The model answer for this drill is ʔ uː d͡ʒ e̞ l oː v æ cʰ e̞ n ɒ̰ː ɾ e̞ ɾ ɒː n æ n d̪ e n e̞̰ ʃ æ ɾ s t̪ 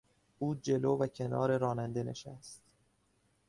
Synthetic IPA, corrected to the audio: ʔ uː d͡ʒ e̞ l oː v æ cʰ e̞ n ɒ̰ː ɾ e̞ ɾ ɒː n æ n d̪ e n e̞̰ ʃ æ s t̪